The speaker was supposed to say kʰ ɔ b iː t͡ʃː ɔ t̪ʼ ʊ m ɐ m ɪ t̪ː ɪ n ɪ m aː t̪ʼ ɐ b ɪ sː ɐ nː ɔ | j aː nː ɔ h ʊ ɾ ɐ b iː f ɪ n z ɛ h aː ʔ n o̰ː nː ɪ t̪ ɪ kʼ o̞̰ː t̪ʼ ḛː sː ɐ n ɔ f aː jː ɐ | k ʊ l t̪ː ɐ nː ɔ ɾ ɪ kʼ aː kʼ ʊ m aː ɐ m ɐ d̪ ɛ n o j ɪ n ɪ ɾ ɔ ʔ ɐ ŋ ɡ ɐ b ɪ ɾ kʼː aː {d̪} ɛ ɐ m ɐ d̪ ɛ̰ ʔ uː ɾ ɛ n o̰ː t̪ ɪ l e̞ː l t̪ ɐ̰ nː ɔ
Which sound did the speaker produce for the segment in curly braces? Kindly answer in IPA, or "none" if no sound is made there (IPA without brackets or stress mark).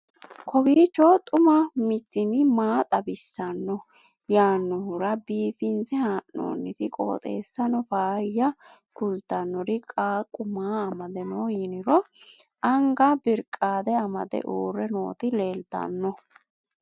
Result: d̪